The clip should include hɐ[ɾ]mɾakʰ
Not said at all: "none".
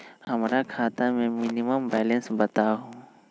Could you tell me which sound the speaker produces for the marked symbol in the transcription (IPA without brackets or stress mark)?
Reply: none